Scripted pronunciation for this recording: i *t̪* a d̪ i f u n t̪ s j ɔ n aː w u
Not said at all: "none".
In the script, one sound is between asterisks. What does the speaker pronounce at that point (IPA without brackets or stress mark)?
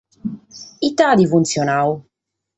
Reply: t̪